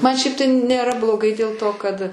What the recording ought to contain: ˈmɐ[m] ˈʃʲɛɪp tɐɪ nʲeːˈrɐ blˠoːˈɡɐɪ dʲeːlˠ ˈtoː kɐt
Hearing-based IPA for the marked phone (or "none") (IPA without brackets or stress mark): n